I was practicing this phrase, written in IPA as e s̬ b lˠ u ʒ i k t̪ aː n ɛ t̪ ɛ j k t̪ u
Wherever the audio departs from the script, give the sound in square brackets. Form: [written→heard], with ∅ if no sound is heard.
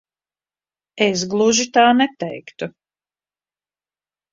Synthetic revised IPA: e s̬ [b→ɡ] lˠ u ʒ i [k→∅] t̪ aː n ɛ t̪ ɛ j k t̪ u